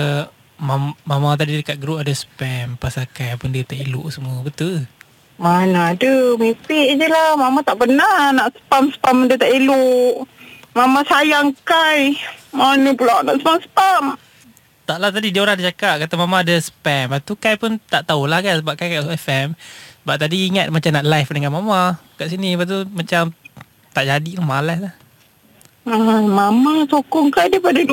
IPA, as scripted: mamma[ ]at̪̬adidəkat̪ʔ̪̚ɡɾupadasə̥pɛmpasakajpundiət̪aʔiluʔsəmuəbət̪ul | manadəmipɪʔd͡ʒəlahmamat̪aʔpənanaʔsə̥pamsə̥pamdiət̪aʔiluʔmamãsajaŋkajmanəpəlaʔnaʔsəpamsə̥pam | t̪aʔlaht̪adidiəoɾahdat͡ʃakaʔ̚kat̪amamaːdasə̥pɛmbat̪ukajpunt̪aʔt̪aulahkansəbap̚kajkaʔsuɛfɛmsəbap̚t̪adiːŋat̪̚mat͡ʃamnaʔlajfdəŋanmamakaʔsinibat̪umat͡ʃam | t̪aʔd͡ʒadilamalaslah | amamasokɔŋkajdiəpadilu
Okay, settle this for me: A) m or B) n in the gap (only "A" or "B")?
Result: A